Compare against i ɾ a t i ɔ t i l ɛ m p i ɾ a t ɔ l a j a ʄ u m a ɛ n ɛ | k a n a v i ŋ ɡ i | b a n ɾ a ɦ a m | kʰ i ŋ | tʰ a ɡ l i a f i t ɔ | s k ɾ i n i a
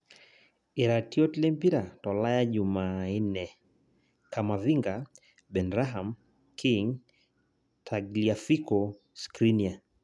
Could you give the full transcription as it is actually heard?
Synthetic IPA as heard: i ɾ a t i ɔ t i l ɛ m p i ɾ a t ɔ l a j a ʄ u m a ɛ n ɛ | k a m a v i ŋ ɡ a | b ɛ n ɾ a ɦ a m | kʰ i ŋ | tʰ a ɡ l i a f i k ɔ | s k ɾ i n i a